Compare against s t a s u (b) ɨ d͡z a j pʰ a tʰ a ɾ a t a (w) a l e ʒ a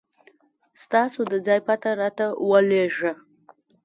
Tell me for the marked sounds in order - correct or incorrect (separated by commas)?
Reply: incorrect, correct